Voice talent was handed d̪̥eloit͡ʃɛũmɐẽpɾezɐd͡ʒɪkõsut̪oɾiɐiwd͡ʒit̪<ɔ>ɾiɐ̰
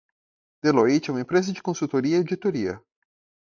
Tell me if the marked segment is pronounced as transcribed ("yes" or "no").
no